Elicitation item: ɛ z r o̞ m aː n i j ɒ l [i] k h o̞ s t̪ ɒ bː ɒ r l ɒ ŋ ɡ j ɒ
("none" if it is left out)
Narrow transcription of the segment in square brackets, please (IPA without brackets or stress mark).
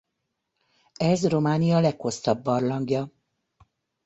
ɛ